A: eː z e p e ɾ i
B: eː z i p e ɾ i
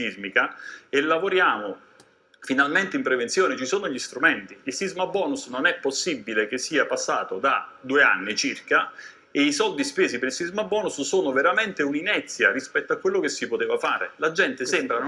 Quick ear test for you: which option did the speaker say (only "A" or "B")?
B